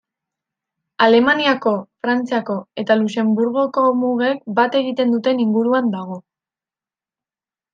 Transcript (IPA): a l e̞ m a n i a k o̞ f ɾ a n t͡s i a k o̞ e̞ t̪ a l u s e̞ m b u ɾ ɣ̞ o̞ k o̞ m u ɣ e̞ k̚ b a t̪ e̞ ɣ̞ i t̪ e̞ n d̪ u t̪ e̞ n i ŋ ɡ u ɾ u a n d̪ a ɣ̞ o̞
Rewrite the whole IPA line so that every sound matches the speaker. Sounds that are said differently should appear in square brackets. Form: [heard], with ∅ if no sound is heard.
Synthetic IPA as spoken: a l e̞ m a n i a k o̞ f ɾ a n t͡s i a k o̞ e̞ t̪ a l u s e̞ m b u ɾ ɣ̞ o̞ k o̞ m u ɣ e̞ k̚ b a t̪ e̞ ɣ̞ i t̪ e̞ n d̪ u t̪ e̞ n i ŋ ɡ u ɾ u a n d̪ a ɣ̞ o̞

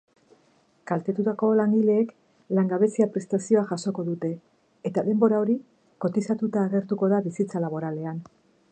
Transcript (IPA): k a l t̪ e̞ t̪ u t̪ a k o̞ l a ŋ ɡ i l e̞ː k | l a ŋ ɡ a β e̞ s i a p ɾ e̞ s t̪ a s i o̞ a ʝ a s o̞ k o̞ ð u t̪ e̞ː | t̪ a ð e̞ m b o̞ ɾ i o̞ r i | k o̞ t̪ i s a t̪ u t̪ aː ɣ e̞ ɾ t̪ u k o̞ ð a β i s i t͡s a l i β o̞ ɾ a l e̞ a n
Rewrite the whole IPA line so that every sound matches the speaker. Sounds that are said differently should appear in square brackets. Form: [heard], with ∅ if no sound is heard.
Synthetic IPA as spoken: k a l t̪ e̞ t̪ u t̪ a k o̞ l a ŋ ɡ i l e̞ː k | l a ŋ ɡ a β e̞ s i a p ɾ e̞ s t̪ a s i o̞ a ʝ a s o̞ k o̞ ð u t̪ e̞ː | t̪ a ð e̞ m b o̞ ɾ [a] o̞ [ɾ] i | k o̞ t̪ i s a t̪ u t̪ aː ɣ e̞ ɾ t̪ u k o̞ ð a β i s i t͡s a l [a] β o̞ ɾ a l e̞ a n

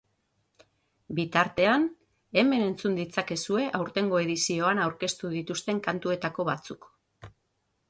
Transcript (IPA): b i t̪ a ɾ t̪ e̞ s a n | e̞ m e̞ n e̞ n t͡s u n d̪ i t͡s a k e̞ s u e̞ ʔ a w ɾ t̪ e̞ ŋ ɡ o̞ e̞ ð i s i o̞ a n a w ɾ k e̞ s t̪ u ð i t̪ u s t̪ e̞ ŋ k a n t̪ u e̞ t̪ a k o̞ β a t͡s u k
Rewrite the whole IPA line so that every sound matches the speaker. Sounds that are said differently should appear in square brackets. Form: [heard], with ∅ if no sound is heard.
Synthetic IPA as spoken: b i t̪ a ɾ t̪ e̞ [∅] a n | e̞ m e̞ n e̞ n t͡s u n d̪ i t͡s a k e̞ s u e̞ ʔ a w ɾ t̪ e̞ ŋ ɡ o̞ e̞ ð i s i o̞ a n a w ɾ k e̞ s t̪ u ð i t̪ u s t̪ e̞ ŋ k a n t̪ u e̞ t̪ a k o̞ β a t͡s u k

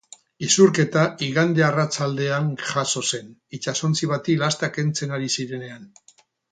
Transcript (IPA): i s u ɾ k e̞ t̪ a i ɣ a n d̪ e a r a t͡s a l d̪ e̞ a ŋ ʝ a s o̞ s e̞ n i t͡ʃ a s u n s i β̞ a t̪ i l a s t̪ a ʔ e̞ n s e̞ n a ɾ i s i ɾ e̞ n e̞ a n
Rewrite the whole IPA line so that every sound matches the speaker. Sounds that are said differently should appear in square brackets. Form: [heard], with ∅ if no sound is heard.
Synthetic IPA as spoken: i s u ɾ k e̞ t̪ a i ɣ a n d̪ e a r a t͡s a l d̪ e̞ a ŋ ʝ a s o̞ s e̞ n i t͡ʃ a s [o] n [t͡s] i β̞ a t̪ i l a s t̪ a [k] e̞ n [t͡s] e̞ n a ɾ i s i ɾ e̞ n e̞ a n

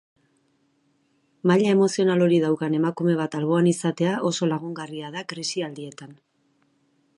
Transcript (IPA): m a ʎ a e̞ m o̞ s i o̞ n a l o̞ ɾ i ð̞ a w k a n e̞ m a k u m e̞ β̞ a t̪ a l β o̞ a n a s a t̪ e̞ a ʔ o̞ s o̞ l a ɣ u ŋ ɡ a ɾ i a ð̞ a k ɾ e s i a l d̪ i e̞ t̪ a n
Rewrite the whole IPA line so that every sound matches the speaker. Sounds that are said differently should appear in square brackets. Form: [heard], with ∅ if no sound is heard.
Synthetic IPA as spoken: m a ʎ a e̞ m o̞ s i o̞ n a l o̞ ɾ i ð̞ a w k a n e̞ m a k u m e̞ β̞ a t̪ a l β o̞ a n [i] s a t̪ e̞ a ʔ o̞ s o̞ l a ɣ u ŋ ɡ a [r] i a ð̞ a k ɾ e s i a l d̪ i e̞ t̪ a n

